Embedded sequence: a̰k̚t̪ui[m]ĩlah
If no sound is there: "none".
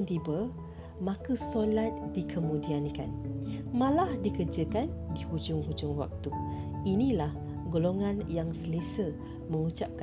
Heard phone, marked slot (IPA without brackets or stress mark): n